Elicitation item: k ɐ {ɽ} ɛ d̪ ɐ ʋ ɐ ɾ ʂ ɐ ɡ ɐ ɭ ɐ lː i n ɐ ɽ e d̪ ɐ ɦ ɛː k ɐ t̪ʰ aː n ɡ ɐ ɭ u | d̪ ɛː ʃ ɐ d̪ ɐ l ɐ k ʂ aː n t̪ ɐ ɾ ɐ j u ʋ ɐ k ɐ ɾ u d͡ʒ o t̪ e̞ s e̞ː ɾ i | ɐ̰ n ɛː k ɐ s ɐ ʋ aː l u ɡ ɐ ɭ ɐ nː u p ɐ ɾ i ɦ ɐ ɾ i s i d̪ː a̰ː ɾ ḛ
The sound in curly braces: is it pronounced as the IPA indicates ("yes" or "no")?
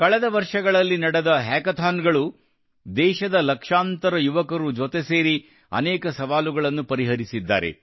no